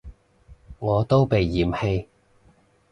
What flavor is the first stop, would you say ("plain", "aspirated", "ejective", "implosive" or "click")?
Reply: plain